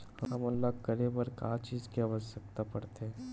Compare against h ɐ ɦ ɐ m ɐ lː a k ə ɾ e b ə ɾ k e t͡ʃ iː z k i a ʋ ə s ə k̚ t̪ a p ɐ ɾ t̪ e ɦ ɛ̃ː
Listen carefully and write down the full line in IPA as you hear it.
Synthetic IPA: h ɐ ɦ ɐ m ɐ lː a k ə ɾ e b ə ɾ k a t͡ʃ iː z k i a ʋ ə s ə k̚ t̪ a p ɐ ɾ t̪ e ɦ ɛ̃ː